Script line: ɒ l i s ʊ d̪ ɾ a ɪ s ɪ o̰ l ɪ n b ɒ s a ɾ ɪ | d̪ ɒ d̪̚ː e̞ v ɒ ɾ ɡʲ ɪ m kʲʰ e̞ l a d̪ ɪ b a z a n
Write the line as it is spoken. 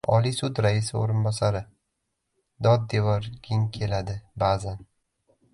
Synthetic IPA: ɒ l i s ʊ d̪ ɾ a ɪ s ɪ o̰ ɾ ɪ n b ɒ s a ɾ ɪ | d̪ ɒ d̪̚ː e̞ v ɒ ɾ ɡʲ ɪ ŋ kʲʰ e̞ l a d̪ ɪ b a z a n

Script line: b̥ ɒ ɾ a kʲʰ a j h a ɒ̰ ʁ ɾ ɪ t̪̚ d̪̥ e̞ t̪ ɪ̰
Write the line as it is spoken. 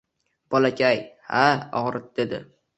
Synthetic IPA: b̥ ɒ l a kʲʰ a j h a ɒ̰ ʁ ɾ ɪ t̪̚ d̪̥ e̞ d̪ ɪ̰

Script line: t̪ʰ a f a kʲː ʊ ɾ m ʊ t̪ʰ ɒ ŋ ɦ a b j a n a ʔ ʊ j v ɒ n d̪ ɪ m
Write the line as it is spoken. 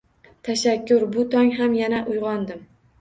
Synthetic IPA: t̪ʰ a ʃ a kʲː ʊ ɾ b ʊ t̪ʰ ɒ ŋ ɦ a m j a n a ʔ ʊ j ʁ ɒ n d̪ ɪ m

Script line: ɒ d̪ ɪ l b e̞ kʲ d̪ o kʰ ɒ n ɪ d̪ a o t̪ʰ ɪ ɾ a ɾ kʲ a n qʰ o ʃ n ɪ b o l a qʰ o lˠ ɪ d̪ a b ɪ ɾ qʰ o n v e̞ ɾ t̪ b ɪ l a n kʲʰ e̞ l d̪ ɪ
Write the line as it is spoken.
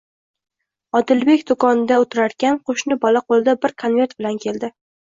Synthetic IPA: ɒ d̪ ɪ l b e̞ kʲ d̪ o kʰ ɒ n ɪ d̪ a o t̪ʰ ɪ ɾ a ɾ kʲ a n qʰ o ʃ n ɪ b ɒ l a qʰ o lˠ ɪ d̪ a b ɪ ɾ kʰ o n v e̞ ɾ t̪ b ɪ l a n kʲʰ e̞ l d̪ ɪ

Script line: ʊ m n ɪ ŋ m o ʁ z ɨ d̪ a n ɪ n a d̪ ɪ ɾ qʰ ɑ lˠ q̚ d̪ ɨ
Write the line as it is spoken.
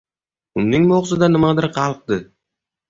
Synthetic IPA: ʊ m n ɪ ŋ m o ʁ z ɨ d̪ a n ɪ m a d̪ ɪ ɾ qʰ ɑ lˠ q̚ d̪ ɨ

